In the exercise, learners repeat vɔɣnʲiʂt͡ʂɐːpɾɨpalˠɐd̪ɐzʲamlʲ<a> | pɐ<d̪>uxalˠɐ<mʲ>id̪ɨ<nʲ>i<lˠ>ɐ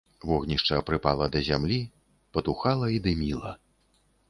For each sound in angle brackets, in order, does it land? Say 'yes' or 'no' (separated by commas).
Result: no, no, no, no, yes